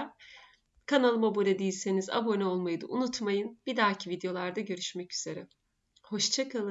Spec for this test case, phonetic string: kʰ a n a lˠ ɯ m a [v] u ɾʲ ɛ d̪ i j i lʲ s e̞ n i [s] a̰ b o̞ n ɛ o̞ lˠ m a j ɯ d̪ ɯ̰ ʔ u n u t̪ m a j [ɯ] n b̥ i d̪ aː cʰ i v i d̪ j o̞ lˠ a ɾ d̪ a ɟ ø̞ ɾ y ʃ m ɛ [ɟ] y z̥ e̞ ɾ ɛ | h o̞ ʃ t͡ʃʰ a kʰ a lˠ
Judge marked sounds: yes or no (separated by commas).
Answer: no, no, yes, no